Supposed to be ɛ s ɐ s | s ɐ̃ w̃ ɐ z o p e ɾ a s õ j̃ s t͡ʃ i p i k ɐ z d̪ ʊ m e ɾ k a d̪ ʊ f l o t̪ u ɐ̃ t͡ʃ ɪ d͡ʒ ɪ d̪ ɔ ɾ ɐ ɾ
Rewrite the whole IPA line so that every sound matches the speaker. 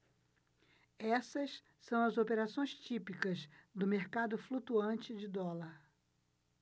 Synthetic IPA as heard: ɛ s ɐ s | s ɐ̃ w̃ ɐ z o p e ɾ a s õ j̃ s t͡ʃ i p i k ɐ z d̪ ʊ m e ɾ k a d̪ ʊ f l u t̪ u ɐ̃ t͡ʃ ɪ d͡ʒ ɪ d̪ ɔ l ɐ ɾ